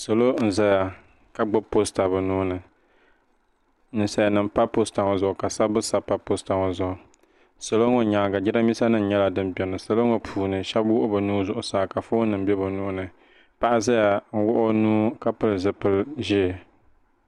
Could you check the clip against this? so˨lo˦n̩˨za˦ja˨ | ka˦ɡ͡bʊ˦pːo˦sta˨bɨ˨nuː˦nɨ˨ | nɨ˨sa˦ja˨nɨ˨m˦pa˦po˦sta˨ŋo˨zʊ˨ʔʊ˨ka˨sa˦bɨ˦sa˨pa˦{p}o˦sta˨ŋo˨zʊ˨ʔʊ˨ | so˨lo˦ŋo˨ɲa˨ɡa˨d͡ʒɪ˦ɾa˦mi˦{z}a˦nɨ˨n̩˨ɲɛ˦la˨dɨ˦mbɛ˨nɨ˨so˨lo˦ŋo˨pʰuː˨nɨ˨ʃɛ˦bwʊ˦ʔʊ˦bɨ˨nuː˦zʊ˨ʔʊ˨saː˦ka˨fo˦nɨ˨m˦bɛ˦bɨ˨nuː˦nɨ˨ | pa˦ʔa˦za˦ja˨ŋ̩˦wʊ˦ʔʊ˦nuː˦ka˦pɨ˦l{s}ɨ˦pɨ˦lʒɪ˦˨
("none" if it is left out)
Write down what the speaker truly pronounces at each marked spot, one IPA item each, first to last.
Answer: p, s, z

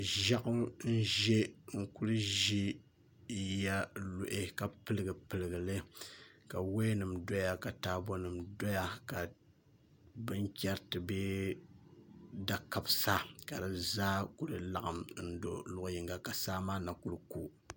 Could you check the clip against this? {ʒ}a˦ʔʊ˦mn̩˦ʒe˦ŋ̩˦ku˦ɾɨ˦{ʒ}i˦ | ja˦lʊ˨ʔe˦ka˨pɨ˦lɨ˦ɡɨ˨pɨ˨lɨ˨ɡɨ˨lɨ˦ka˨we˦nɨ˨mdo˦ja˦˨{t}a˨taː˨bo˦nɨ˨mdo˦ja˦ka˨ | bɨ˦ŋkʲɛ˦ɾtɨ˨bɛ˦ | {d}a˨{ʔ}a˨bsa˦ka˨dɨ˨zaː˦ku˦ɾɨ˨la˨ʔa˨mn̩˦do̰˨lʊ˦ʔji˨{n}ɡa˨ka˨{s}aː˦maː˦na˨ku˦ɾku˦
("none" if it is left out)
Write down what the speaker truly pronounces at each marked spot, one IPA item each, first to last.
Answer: ʒ, ʒ, k, d, k, ŋ, s

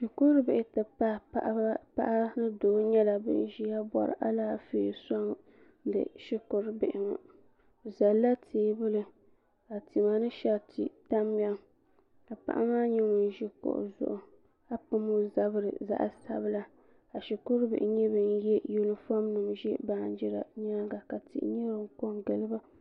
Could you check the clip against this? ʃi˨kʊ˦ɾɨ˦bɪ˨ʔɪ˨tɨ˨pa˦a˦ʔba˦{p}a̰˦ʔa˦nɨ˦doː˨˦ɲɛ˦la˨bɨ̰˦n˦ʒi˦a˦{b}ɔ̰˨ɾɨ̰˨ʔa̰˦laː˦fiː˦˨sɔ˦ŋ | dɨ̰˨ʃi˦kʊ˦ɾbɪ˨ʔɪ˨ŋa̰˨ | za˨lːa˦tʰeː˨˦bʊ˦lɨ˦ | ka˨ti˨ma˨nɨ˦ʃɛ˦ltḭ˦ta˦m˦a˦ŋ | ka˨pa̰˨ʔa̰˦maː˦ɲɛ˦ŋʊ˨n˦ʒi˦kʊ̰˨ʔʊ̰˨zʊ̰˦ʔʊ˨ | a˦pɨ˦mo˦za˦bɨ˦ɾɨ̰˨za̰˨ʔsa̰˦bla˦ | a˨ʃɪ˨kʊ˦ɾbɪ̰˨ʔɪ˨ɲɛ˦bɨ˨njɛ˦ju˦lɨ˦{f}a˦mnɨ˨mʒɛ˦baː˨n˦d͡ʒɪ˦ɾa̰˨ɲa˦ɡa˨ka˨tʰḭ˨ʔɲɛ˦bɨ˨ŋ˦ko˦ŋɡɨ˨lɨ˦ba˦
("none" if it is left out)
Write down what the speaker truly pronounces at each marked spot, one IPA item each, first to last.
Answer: p, b, f

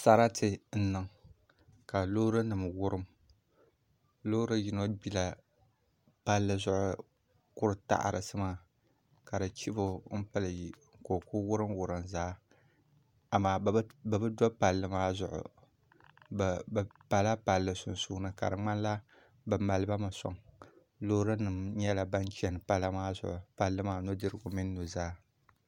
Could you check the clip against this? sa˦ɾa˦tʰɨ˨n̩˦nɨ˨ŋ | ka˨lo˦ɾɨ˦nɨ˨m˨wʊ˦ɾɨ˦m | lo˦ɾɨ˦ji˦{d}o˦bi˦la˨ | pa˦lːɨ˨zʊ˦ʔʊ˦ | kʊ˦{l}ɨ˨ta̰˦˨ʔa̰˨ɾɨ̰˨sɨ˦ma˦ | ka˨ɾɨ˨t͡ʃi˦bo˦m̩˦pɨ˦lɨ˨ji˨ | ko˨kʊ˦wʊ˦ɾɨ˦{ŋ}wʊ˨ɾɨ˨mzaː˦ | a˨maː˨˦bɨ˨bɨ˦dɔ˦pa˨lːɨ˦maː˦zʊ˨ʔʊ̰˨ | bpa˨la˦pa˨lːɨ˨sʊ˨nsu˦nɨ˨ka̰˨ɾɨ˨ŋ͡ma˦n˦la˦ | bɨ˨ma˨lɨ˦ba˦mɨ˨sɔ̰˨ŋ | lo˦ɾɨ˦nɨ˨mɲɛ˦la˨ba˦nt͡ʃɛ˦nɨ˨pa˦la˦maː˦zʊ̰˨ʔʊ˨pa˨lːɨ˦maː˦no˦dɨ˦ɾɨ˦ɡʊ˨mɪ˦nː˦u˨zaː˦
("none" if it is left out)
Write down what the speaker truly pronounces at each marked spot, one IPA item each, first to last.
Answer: n, ɾ, m

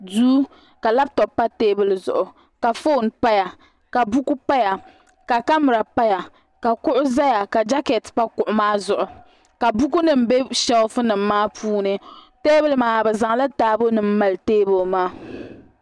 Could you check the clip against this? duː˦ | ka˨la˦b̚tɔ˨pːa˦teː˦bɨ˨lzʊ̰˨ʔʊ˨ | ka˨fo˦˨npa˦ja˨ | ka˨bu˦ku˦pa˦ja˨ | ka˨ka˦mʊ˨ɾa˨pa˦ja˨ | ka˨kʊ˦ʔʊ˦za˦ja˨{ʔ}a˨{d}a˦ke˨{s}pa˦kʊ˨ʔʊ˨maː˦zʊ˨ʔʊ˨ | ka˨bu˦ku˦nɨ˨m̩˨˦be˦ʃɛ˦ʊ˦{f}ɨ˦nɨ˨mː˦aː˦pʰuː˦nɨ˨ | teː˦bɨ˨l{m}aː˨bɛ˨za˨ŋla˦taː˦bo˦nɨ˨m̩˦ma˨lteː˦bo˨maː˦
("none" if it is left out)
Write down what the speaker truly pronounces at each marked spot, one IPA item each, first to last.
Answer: k, d͡ʒ, t, f, m

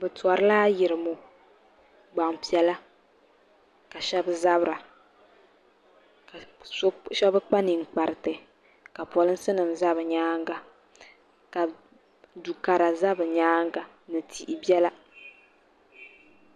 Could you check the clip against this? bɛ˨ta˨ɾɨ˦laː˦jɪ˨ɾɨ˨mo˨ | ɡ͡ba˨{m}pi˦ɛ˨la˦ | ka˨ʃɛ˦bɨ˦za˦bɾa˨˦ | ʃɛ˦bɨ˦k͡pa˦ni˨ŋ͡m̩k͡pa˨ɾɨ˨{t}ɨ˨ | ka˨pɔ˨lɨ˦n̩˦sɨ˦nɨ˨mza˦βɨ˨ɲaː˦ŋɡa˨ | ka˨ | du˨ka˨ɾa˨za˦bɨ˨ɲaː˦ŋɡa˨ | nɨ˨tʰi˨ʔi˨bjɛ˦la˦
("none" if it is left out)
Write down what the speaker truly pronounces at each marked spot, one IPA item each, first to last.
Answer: ŋ, t

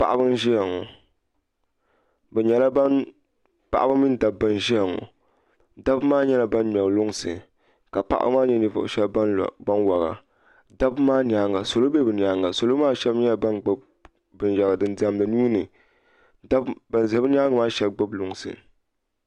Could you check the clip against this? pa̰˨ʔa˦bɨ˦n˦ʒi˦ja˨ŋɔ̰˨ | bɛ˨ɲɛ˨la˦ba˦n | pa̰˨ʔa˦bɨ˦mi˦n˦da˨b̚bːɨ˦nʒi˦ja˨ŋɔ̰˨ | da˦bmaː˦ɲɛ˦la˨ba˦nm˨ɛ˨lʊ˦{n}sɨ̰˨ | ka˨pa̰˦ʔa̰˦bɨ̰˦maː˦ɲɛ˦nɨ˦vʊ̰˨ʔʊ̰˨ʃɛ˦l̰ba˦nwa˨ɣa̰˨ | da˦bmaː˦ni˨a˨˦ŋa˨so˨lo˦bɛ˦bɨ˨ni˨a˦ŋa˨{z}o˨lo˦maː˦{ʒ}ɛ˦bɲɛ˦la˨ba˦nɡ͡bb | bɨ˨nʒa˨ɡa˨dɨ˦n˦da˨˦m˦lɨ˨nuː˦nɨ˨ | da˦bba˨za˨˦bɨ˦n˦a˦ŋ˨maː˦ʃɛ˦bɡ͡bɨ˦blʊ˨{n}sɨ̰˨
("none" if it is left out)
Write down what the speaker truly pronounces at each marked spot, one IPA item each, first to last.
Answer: ŋ, s, ʃ, ŋ

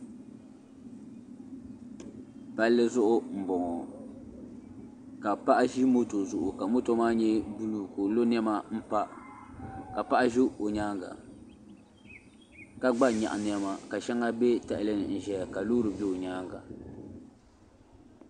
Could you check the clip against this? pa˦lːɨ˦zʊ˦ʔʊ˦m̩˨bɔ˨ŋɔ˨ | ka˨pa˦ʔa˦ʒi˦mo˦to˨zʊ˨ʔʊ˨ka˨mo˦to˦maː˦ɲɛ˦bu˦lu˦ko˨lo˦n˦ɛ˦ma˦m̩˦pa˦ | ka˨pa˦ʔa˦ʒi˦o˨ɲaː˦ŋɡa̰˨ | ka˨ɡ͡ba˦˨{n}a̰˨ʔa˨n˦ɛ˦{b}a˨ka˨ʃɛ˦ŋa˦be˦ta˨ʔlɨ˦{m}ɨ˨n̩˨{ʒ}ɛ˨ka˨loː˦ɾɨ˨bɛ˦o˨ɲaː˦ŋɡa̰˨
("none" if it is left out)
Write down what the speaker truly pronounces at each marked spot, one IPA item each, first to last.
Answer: ɲ, m, n, ʒ

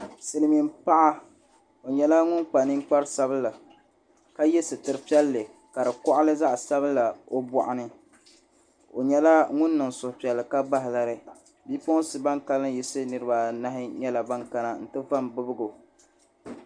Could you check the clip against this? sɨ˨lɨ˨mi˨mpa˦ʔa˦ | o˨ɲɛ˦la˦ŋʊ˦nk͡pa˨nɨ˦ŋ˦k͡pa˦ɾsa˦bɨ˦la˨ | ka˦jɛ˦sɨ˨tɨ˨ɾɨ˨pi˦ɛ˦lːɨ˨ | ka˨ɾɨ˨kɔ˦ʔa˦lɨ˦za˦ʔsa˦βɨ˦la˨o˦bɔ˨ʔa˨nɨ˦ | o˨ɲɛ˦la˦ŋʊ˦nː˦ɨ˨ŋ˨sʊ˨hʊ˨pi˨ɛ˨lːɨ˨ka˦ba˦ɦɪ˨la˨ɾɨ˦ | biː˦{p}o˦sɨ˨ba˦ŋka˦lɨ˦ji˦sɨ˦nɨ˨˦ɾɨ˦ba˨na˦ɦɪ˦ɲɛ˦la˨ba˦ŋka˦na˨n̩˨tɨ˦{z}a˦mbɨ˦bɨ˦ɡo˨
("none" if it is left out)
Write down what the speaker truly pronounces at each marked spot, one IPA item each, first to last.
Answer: p, v

